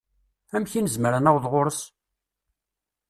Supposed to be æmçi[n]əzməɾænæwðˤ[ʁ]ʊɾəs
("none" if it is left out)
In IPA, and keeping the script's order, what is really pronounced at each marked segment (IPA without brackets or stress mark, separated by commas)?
n, ʁ